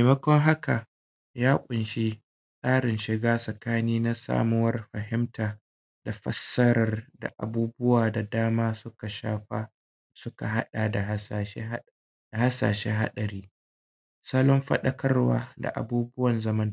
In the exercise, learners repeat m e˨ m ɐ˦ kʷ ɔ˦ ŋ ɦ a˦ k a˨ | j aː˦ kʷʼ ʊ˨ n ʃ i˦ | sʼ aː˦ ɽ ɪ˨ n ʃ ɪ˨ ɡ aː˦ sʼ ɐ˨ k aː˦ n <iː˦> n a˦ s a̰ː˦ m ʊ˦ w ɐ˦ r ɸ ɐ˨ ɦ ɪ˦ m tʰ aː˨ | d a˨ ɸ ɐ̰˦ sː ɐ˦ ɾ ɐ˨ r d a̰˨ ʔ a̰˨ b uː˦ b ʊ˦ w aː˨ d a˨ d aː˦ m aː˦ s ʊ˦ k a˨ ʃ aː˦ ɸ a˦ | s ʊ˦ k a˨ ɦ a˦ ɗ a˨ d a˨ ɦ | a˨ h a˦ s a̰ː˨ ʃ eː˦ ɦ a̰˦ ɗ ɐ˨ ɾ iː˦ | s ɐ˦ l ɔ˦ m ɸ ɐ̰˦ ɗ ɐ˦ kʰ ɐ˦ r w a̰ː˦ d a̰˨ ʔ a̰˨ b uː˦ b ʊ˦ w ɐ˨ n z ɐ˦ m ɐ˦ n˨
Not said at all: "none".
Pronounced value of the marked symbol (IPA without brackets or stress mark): iː˦